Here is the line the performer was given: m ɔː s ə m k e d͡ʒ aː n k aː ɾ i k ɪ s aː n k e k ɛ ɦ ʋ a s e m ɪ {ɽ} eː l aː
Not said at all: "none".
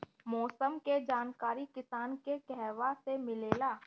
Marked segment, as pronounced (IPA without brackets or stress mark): l